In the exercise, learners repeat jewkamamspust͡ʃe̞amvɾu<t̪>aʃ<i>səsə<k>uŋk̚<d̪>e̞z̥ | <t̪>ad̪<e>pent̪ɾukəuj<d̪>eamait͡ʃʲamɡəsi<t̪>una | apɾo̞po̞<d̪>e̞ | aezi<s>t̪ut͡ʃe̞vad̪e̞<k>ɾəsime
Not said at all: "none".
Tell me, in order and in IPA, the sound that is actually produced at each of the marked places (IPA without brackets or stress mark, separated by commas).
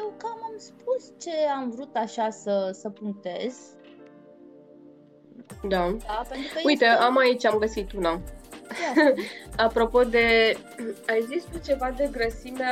t̪, a, p, t̪, d̪, a, t̪, t̪, d̪, s, ɡ